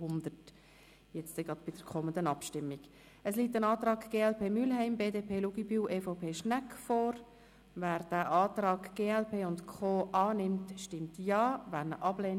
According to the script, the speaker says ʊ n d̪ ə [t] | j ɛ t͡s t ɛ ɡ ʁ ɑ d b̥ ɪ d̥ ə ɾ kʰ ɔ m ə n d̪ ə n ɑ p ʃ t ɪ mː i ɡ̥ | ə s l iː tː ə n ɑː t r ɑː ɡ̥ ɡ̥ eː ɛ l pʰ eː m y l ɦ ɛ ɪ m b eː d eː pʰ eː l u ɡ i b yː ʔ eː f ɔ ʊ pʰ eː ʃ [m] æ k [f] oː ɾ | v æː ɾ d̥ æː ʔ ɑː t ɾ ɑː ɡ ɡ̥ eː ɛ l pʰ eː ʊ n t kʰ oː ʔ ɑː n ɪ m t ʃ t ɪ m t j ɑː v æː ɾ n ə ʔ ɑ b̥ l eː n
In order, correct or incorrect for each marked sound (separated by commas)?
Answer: correct, incorrect, correct